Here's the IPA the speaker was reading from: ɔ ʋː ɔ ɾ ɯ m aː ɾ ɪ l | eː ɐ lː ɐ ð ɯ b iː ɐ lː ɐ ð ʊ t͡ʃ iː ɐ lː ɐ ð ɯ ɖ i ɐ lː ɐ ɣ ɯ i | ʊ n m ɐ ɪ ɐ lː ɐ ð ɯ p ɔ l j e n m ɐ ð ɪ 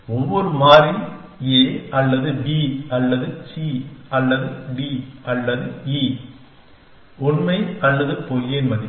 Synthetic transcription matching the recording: ɔ ʋː ɔ ɾ ɯ m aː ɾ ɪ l | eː ɐ lː ɐ ð ɯ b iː ɐ lː ɐ ð ɯ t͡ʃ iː ɐ lː ɐ ð ɯ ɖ i ɐ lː ɐ ð ɯ i | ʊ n m ɐ ɪ ɐ lː ɐ ð ɯ p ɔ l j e n m ɐ ð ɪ